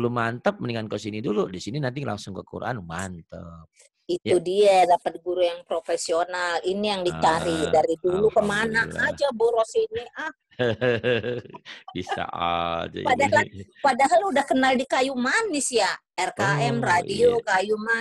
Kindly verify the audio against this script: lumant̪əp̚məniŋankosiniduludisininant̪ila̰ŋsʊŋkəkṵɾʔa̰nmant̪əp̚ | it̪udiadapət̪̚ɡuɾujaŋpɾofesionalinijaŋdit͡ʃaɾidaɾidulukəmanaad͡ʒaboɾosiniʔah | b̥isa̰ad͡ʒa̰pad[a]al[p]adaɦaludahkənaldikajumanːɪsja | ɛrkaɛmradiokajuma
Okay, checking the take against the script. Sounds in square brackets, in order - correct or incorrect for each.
correct, correct

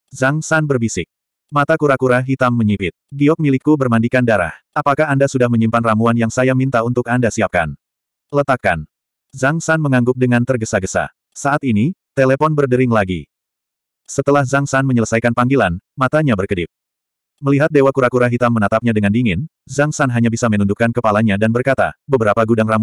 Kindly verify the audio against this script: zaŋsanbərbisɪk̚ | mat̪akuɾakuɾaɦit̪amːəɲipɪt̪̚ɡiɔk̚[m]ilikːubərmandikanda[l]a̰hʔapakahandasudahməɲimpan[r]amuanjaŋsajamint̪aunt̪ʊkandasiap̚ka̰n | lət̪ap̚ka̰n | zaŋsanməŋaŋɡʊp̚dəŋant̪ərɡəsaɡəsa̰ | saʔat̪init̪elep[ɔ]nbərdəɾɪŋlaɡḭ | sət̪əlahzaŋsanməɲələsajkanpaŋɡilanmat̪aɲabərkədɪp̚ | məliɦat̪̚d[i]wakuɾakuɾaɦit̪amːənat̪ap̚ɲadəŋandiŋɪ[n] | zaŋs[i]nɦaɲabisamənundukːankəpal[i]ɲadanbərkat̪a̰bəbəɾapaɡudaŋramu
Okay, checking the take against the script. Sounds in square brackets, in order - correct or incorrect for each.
correct, incorrect: ɾ, correct, correct, incorrect: e, correct, incorrect: a, incorrect: a

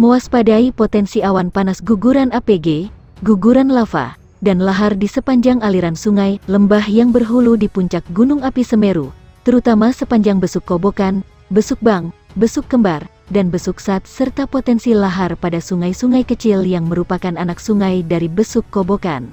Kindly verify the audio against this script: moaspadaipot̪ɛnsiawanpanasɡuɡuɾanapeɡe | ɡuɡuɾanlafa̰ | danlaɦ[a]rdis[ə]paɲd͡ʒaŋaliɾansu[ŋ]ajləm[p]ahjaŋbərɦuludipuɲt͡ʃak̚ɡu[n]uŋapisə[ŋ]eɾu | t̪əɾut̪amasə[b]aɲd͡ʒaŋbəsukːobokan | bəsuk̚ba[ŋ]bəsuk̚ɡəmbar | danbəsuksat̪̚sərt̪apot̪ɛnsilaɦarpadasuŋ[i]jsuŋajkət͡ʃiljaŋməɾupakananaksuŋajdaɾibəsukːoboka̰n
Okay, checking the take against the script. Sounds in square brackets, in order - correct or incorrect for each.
correct, correct, correct, incorrect: b, correct, incorrect: m, incorrect: p, correct, incorrect: a

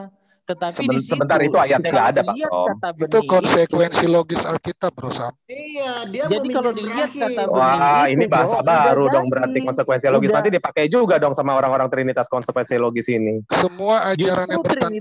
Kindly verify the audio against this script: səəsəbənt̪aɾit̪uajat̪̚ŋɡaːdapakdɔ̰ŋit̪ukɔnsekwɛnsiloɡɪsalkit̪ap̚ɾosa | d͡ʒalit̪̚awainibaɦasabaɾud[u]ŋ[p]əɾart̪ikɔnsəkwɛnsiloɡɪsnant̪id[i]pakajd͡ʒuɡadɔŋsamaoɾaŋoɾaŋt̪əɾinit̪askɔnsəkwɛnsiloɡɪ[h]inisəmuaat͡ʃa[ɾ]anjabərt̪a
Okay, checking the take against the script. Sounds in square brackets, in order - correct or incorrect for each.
incorrect: ɔ, incorrect: b, correct, incorrect: s, correct

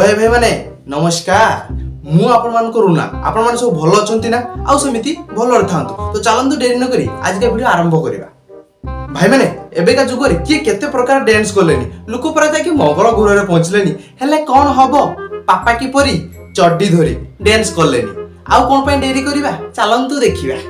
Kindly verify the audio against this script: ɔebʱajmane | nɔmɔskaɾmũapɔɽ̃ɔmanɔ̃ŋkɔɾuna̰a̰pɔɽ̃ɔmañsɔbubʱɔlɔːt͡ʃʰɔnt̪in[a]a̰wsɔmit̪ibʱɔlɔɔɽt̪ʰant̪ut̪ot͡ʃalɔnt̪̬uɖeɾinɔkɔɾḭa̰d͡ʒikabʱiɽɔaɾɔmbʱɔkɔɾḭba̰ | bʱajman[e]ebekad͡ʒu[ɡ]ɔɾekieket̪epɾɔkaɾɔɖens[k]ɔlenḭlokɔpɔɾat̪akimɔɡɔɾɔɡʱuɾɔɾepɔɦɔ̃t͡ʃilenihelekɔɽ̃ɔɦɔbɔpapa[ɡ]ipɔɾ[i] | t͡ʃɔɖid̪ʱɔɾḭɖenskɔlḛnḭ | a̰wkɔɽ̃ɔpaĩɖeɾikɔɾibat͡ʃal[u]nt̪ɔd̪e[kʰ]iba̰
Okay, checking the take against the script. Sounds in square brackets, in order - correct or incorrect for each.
correct, correct, correct, correct, incorrect: k, correct, incorrect: ɔ, correct

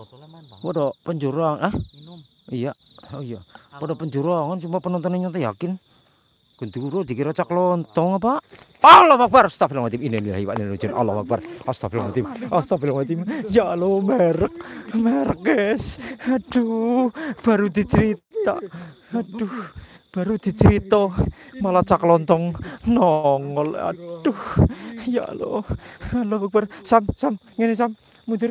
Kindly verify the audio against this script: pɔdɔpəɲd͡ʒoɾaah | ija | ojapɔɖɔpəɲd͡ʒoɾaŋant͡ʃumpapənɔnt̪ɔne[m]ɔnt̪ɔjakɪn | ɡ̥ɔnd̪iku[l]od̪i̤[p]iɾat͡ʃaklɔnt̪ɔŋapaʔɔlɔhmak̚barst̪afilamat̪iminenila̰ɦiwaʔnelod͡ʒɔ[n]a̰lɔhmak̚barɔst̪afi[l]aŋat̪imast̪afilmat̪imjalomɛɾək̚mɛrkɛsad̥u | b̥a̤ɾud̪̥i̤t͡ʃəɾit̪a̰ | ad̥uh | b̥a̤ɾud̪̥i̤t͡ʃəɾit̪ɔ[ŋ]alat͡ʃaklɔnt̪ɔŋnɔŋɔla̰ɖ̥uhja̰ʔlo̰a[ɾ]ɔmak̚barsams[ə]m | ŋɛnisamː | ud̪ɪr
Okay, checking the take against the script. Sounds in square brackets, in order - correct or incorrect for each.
incorrect: ɲ, incorrect: ɾ, incorrect: k, correct, correct, incorrect: m, incorrect: l, incorrect: a

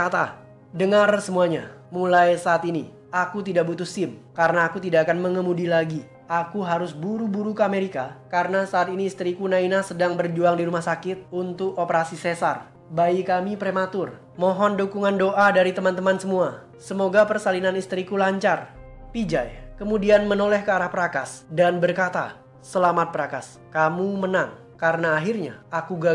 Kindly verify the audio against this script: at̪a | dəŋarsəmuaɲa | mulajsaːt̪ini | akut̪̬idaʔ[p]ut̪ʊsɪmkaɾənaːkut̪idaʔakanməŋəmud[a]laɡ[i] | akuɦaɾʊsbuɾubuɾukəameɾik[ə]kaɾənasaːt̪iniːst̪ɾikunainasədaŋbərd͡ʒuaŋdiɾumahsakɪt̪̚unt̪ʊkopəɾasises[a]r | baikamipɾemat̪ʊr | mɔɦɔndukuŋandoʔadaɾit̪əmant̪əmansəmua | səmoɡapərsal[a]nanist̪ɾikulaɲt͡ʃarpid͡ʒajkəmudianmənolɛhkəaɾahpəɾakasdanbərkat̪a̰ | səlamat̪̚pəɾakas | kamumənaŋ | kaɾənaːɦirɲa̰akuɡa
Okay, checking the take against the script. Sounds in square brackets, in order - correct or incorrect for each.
incorrect: b, incorrect: i, correct, incorrect: a, correct, incorrect: i

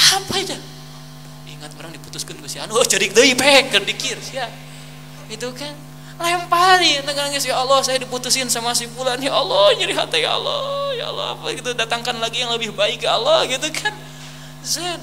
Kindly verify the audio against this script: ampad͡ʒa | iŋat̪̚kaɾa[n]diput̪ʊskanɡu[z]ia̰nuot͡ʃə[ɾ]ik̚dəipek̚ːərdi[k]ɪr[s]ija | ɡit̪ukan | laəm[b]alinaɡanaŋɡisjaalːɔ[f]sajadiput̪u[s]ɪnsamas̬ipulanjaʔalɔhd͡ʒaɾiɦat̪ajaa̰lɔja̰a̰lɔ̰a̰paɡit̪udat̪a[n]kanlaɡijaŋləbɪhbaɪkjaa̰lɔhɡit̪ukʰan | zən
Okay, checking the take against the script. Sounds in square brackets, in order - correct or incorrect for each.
incorrect: ŋ, incorrect: s, correct, correct, correct, incorrect: p, incorrect: h, correct, incorrect: ŋ

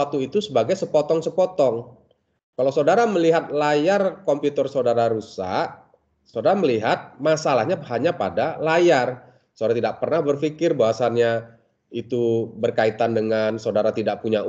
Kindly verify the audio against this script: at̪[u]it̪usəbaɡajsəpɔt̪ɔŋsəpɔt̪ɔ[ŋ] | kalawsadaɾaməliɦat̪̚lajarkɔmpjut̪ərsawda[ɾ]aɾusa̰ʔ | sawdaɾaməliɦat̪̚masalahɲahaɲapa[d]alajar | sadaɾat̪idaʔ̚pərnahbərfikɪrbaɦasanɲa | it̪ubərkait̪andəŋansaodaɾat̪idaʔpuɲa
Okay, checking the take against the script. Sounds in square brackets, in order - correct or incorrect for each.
correct, correct, correct, correct

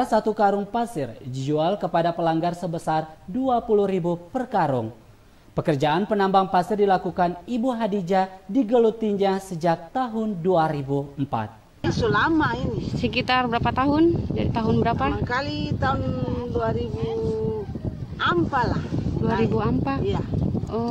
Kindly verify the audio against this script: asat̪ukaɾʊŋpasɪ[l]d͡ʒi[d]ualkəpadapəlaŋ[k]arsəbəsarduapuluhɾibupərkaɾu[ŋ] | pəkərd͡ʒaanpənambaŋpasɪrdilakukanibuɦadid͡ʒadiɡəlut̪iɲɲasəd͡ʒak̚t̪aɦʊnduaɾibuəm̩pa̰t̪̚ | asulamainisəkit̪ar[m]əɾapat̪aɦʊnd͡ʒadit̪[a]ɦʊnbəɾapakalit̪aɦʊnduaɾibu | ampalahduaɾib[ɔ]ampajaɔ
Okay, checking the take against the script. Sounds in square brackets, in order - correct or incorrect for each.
incorrect: r, incorrect: d͡ʒ, incorrect: ɡ, correct, incorrect: b, correct, incorrect: u

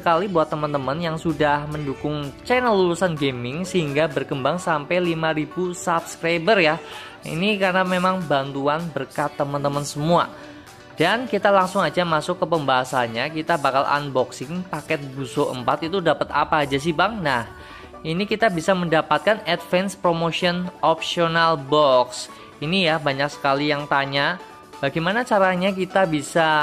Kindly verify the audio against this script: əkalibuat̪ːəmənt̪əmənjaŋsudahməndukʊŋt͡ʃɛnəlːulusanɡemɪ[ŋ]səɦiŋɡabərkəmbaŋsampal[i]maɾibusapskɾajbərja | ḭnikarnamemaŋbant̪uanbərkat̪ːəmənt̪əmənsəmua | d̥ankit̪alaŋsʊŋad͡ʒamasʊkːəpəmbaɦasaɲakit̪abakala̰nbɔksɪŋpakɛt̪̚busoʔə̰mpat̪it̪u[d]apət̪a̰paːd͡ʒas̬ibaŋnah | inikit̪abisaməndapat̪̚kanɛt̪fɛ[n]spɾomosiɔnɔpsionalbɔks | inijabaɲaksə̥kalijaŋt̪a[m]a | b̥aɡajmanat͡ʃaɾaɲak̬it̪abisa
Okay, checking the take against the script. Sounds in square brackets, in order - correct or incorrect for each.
correct, correct, correct, correct, incorrect: ɲ

